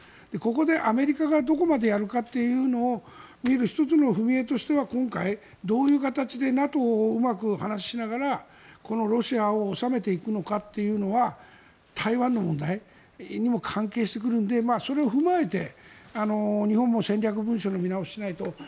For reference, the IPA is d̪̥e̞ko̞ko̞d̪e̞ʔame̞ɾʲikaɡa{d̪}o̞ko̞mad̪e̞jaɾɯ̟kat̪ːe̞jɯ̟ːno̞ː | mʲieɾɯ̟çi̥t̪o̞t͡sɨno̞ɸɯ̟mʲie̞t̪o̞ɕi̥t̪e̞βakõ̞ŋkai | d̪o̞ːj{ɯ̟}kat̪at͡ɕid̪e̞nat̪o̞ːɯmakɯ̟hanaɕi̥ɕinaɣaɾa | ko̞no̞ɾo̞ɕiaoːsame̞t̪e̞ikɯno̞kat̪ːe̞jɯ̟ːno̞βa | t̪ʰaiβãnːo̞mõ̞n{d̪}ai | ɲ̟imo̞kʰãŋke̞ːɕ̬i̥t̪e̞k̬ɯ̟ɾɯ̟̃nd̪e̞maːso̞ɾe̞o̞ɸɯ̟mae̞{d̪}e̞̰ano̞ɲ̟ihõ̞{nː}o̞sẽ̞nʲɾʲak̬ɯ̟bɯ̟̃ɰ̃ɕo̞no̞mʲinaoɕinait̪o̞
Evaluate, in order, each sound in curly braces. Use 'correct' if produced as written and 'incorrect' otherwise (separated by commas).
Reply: correct, incorrect, correct, incorrect, incorrect